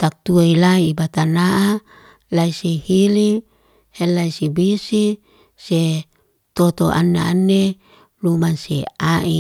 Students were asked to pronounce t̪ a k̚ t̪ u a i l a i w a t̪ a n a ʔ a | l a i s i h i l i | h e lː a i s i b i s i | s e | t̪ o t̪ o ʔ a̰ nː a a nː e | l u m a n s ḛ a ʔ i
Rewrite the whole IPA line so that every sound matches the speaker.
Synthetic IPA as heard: t̪ a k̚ t̪ u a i l a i b a t̪ a n a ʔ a | l a i s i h i l i | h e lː a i s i b i s i | s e | t̪ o t̪ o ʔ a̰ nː a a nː e | l u m a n s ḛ a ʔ i